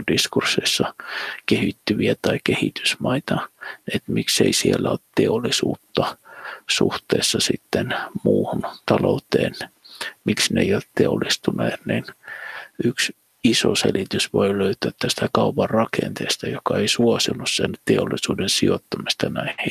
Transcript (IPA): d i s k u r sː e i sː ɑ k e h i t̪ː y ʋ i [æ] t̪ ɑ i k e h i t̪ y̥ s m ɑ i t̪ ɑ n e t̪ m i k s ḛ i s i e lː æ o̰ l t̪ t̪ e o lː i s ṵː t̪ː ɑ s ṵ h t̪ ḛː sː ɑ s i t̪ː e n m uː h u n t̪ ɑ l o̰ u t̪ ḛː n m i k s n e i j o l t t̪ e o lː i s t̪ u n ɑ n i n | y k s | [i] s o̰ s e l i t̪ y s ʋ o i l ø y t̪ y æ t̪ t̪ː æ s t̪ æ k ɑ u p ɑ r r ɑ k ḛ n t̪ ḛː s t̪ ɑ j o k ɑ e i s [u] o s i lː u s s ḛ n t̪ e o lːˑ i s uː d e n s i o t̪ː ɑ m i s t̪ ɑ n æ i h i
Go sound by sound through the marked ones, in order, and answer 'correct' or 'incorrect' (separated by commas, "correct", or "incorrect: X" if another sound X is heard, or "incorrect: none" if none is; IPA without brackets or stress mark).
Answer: correct, correct, correct